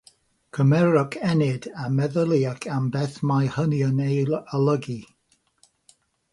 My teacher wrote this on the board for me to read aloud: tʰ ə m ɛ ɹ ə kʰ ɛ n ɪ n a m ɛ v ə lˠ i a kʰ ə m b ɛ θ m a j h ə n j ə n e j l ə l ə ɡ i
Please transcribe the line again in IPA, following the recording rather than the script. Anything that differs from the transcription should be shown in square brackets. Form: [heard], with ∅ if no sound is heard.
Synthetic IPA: [kʰ] ə m ɛ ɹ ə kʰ ɛ n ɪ [d] a m ɛ [ð] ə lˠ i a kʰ [a] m b ɛ θ m a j h ə n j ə n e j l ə l ə ɡ i